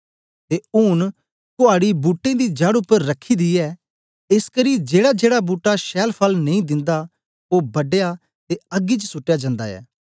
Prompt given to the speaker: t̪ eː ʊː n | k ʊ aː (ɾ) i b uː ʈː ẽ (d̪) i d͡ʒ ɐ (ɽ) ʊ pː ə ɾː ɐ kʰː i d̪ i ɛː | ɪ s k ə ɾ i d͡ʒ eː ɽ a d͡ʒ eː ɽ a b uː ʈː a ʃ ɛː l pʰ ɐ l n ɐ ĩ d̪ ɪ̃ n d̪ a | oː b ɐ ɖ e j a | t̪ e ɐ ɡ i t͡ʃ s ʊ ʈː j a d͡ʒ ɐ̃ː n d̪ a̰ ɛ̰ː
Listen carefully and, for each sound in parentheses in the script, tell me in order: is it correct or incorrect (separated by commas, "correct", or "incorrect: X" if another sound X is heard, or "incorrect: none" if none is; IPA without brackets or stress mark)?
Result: incorrect: ɽ, correct, correct